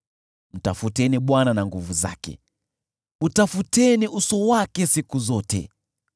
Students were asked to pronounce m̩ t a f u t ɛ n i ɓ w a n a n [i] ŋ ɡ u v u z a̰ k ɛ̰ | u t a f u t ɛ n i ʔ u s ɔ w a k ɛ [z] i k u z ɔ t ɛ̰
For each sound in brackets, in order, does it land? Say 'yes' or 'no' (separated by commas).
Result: no, no